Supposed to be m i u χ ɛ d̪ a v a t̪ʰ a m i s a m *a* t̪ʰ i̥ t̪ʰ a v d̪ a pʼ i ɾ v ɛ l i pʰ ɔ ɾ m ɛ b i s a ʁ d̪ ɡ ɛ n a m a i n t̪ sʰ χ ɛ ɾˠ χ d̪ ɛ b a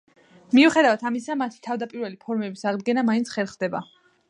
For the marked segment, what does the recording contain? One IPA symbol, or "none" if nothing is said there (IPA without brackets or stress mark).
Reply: a